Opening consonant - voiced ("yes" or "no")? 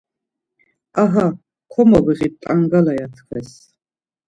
yes